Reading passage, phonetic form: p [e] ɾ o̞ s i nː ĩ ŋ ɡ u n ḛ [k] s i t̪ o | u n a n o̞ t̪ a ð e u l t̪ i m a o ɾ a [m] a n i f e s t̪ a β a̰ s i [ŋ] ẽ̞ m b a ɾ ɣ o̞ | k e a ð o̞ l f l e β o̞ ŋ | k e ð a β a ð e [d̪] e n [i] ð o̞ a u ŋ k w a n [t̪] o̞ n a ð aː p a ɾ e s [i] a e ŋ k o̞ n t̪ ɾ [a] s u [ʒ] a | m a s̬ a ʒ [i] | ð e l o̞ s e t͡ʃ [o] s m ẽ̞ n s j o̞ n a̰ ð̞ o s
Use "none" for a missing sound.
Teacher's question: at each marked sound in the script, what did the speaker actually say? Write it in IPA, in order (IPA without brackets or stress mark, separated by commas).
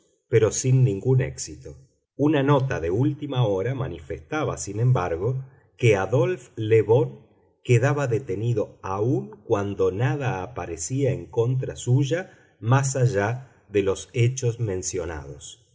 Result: e, k, m, n, t̪, i, d̪, i, a, ʒ, a, o